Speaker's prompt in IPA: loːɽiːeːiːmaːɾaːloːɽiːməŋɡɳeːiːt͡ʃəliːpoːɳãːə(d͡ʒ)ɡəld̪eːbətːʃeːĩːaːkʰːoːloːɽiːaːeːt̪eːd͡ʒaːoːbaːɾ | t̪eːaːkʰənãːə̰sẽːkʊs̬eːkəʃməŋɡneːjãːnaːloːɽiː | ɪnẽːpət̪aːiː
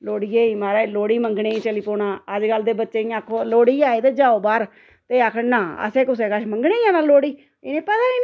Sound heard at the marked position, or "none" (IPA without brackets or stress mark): d͡ʒ